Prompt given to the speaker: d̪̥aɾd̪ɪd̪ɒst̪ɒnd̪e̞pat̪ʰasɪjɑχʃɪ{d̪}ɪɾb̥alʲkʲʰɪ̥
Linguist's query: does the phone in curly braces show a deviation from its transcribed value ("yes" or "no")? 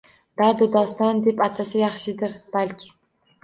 no